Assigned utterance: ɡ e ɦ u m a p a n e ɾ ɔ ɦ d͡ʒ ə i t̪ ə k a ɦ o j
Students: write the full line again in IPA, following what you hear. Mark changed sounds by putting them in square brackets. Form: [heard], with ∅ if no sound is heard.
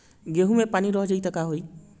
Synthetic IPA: ɡ e ɦ u m [e] p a n [i] ɾ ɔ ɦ d͡ʒ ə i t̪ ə k a ɦ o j